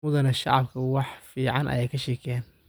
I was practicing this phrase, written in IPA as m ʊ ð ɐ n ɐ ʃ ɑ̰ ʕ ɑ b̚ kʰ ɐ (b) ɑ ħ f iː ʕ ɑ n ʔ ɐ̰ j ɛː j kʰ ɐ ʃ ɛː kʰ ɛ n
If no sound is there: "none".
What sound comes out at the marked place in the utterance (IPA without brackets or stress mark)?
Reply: w